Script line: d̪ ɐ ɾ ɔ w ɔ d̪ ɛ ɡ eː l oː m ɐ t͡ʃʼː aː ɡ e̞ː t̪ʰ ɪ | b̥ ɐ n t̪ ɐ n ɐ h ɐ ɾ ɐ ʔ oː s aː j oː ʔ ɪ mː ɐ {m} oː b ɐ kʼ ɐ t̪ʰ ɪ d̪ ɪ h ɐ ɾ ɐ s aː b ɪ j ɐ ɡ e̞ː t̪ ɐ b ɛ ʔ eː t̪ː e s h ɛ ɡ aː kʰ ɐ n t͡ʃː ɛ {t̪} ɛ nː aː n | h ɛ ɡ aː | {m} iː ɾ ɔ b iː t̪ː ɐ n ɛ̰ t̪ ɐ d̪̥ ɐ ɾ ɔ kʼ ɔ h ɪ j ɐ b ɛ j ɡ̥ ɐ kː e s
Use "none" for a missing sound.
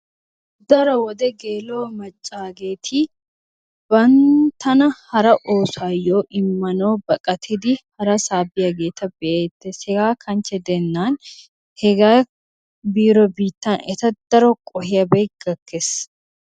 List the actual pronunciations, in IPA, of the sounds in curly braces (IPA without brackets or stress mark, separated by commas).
n, d̪, b